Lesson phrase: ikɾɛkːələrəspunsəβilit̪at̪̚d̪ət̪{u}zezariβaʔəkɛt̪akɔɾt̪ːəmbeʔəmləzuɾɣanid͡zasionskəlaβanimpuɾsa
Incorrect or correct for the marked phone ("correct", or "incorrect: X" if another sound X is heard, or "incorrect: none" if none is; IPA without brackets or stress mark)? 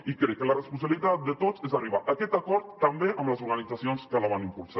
incorrect: o